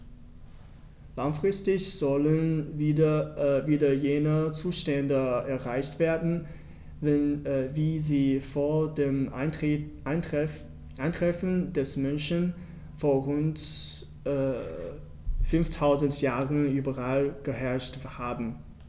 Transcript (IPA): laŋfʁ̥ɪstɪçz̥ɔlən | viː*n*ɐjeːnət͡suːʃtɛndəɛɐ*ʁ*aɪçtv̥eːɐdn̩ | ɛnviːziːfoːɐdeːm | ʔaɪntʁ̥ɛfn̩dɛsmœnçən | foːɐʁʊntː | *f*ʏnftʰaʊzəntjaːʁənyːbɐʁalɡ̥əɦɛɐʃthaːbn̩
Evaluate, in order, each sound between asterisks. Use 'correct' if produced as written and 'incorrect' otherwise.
incorrect: d, correct, correct

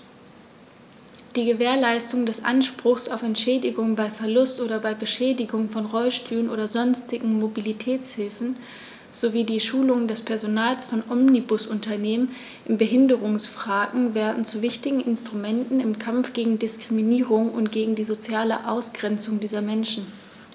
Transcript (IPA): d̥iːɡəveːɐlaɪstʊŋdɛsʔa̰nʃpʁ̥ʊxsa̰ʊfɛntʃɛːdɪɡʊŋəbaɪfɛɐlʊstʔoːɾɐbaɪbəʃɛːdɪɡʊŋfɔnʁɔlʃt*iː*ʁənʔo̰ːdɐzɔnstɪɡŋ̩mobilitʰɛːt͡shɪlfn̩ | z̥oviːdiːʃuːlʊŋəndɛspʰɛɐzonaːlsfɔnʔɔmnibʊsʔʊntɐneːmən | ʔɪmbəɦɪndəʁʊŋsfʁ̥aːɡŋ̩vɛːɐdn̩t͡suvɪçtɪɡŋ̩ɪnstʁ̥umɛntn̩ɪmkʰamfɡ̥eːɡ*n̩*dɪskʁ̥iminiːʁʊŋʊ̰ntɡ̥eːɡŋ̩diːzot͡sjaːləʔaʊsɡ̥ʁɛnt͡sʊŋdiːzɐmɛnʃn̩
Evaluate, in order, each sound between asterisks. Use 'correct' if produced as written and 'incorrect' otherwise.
incorrect: yː, incorrect: ŋ̩

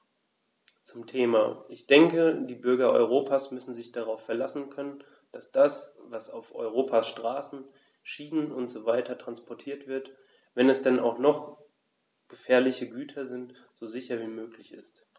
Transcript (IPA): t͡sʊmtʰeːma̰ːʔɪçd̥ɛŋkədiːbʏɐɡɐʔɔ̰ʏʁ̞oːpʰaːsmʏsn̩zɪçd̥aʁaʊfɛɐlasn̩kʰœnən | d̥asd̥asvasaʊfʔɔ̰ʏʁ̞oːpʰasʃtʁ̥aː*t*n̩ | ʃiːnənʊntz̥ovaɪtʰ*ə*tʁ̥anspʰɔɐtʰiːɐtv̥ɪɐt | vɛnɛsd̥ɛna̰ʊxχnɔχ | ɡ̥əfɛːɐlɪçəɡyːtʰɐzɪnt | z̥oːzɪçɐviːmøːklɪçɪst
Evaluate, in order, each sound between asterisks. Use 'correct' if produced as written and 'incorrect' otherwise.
incorrect: s, incorrect: ɐ

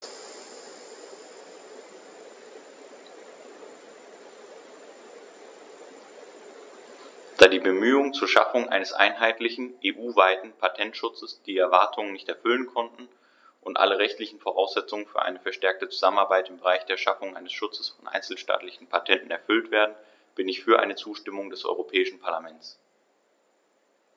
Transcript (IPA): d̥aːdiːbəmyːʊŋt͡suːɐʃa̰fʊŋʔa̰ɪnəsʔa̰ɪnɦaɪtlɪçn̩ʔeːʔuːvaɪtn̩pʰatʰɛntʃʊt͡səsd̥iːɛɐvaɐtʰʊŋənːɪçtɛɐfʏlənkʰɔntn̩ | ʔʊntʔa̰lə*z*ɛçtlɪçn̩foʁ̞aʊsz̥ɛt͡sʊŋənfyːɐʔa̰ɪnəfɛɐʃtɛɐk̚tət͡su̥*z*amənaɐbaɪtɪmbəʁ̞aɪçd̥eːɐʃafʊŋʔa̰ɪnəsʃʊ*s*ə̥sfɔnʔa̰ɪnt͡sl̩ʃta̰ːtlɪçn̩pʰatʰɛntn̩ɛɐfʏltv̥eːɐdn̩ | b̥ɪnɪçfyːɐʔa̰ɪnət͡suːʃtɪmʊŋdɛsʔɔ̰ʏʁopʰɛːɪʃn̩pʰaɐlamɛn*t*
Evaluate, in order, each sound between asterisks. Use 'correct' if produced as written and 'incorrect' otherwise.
incorrect: ʁ, correct, incorrect: t͡s, incorrect: t͡s

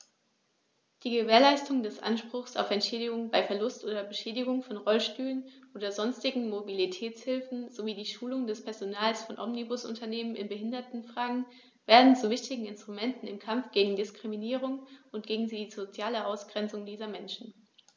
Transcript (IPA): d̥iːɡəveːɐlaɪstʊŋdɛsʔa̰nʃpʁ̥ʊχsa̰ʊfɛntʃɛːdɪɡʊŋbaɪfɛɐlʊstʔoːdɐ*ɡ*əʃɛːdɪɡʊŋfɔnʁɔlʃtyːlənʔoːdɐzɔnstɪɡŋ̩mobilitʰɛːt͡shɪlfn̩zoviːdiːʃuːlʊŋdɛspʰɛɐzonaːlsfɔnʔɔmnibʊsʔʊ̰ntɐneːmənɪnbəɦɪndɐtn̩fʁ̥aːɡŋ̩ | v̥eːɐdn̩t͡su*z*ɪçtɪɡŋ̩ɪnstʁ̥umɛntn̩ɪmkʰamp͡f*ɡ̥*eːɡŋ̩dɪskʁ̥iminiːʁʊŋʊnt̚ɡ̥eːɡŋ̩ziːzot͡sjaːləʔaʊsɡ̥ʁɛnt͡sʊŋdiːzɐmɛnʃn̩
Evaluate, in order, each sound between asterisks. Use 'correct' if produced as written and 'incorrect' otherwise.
incorrect: b, incorrect: v, correct

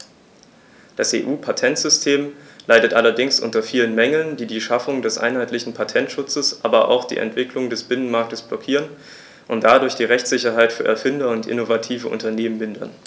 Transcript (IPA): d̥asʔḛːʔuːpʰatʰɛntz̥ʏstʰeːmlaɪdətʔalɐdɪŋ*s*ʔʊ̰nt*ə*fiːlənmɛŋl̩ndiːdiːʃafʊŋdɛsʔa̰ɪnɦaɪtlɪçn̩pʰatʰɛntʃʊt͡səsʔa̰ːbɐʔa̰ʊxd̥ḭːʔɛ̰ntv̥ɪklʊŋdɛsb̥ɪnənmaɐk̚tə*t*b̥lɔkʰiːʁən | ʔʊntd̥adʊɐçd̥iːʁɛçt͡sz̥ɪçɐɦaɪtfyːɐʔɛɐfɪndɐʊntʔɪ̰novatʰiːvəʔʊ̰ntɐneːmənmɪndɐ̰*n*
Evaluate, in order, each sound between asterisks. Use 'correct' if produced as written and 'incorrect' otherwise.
correct, incorrect: ɐ, incorrect: s, correct

